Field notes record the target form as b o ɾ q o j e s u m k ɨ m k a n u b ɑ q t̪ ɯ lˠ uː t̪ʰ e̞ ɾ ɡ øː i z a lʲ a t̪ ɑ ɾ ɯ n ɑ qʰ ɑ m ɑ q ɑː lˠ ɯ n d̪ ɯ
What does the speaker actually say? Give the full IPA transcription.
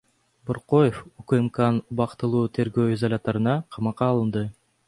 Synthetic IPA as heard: b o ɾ q o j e f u k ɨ m k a n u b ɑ q t̪ ɯ lˠ uː t̪ʰ e̞ ɾ ɡ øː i z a lʲ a t̪ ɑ ɾ ɯ n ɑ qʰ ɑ m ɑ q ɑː lˠ ɯ n d̪ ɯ